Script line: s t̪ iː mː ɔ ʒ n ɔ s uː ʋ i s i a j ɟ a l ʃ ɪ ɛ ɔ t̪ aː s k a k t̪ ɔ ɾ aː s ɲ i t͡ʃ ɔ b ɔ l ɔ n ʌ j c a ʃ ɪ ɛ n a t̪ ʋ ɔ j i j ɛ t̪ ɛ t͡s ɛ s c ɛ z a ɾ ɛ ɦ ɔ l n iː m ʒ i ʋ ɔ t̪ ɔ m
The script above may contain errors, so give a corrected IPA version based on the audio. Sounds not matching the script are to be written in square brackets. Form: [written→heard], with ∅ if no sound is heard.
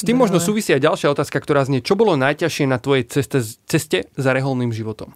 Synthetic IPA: s t̪ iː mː ɔ ʒ n ɔ s uː ʋ i s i a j ɟ a l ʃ ɪ [ɛ→a] ɔ t̪ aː s k a k t̪ ɔ ɾ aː [s→z] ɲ [i→ɛ] t͡ʃ ɔ b ɔ l ɔ n [ʌ→a] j c a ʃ ɪ ɛ n a t̪ ʋ ɔ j [i→ɛ] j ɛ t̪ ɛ t͡s ɛ s c ɛ z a ɾ ɛ ɦ ɔ l n iː m ʒ i ʋ ɔ t̪ ɔ m